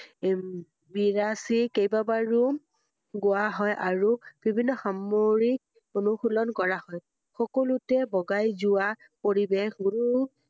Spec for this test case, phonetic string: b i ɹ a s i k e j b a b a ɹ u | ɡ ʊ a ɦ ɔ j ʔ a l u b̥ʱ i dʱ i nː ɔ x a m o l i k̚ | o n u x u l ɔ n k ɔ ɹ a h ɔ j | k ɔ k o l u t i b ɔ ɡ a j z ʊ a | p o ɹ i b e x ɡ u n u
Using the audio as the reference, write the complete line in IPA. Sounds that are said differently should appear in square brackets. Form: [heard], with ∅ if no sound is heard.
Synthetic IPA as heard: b i ɹ a s i k e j b a b a ɹ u | ɡ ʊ a ɦ ɔ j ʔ a [ɹ] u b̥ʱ i [bʱ] i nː ɔ x a m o [ɹ] i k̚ | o n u x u l ɔ n k ɔ ɹ a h ɔ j | [x] ɔ k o l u t [ɛ] b ɔ ɡ a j z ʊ a | p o ɹ i b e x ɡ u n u